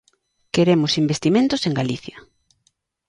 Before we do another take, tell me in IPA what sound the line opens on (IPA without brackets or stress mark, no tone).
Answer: k